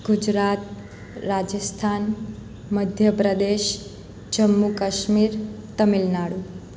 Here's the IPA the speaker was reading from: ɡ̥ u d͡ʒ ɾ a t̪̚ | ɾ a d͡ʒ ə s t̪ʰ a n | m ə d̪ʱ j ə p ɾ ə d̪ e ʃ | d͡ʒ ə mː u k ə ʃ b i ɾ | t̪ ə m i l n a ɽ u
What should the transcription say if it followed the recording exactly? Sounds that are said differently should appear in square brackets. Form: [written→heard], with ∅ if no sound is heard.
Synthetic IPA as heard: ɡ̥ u d͡ʒ ɾ a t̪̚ | ɾ a d͡ʒ ə s t̪ʰ a n | m ə d̪ʱ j ə p ɾ ə d̪ e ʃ | d͡ʒ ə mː u k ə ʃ [b→m] i ɾ | t̪ ə m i l n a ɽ u

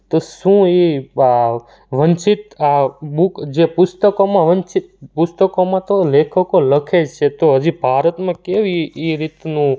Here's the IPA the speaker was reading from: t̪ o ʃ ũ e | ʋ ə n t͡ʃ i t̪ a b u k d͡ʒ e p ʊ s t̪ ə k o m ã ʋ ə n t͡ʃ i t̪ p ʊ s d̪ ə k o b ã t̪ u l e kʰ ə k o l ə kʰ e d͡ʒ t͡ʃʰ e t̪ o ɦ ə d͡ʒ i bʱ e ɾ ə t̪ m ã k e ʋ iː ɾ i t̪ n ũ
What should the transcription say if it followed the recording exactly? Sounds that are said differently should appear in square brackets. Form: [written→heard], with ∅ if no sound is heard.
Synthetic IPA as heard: t̪ o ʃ ũ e | ʋ ə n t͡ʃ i t̪ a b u k d͡ʒ e p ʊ s t̪ ə k o m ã ʋ ə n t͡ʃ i t̪ p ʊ s [d̪→t̪] ə k o [b→m] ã t̪ [u→o] l e kʰ ə k o l ə kʰ e d͡ʒ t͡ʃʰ e t̪ o ɦ ə d͡ʒ i bʱ [e→a] ɾ ə t̪ m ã k e ʋ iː ɾ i t̪ n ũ

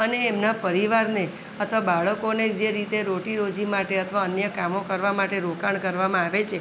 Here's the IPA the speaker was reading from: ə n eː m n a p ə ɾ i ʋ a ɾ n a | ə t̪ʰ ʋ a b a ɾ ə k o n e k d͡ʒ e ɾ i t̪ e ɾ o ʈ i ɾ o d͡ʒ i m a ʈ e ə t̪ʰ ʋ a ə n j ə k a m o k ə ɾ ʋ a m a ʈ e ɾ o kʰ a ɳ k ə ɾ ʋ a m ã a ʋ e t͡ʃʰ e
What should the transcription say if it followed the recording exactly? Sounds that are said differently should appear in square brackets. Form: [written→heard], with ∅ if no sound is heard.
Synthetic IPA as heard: ə n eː m n a p ə ɾ i ʋ a ɾ n [a→e] | ə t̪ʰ ʋ a b a [ɾ→ɭ] ə k o n e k d͡ʒ e ɾ i t̪ e ɾ o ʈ i ɾ o d͡ʒ i m a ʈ e ə t̪ʰ ʋ a ə n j ə k a m o k ə ɾ ʋ a m a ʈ e ɾ o [kʰ→k] a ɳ k ə ɾ ʋ a m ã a ʋ e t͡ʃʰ e

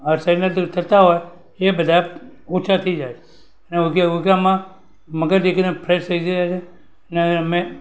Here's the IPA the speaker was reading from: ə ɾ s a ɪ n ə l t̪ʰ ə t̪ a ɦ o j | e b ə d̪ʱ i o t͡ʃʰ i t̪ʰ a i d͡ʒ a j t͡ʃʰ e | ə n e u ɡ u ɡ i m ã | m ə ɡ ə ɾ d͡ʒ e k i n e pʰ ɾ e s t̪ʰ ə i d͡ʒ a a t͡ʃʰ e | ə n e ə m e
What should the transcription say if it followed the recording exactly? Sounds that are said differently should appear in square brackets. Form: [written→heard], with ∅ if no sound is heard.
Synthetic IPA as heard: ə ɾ s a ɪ n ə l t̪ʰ ə t̪ a ɦ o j | e b ə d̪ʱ [i→a] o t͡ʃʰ [i→a] t̪ʰ [a→ə] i d͡ʒ a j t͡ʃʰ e | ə n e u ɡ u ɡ [i→a] m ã | m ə ɡ ə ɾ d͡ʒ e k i n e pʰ ɾ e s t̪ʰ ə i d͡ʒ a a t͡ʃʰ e | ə n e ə m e

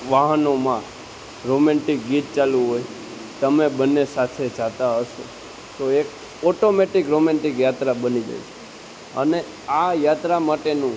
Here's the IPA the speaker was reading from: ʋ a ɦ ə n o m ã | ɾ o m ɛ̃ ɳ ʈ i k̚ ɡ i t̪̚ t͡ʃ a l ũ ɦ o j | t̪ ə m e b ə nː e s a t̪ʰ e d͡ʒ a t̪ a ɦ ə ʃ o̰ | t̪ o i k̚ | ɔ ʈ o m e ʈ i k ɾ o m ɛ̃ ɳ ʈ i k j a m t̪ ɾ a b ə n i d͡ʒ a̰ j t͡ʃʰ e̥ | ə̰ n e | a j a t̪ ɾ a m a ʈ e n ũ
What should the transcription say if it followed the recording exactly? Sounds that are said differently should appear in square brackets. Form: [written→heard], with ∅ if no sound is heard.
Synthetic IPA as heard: ʋ a ɦ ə n o m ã | ɾ o m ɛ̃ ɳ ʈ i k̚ ɡ i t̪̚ t͡ʃ a l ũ ɦ o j | t̪ ə m e b ə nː e s a t̪ʰ e d͡ʒ a t̪ a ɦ ə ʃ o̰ | t̪ o [i→e] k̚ | ɔ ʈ o m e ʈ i k ɾ o m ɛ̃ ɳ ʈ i k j a [m→∅] t̪ ɾ a b ə n i d͡ʒ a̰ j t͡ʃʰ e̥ | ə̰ n e | a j a t̪ ɾ a m a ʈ e n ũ

